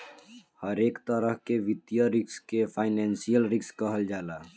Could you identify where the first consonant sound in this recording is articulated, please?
glottal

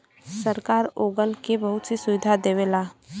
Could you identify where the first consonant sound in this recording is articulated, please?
alveolar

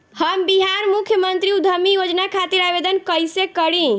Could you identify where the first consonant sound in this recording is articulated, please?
glottal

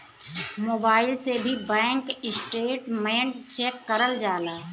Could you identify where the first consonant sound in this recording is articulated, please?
labial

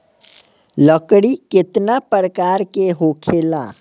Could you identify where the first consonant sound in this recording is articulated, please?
alveolar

